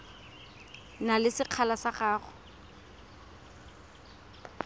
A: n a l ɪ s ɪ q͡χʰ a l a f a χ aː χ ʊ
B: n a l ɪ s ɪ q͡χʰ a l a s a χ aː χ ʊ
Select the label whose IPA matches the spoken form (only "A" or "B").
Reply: B